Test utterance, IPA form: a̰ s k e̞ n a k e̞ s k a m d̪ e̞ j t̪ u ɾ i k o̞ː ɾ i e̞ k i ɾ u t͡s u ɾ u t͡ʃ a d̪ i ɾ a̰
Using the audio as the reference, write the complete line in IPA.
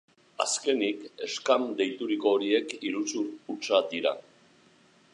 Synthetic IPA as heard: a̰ s k e̞ n i k e̞ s k a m d̪ e̞ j t̪ u ɾ i k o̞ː ɾ i e̞ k i ɾ u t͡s u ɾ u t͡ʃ a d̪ i ɾ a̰